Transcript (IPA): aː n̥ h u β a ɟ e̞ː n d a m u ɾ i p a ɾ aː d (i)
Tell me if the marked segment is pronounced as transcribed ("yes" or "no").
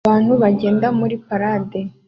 no